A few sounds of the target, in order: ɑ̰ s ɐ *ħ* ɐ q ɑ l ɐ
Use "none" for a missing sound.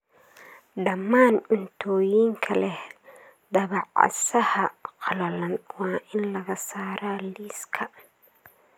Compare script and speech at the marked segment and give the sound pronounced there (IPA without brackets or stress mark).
h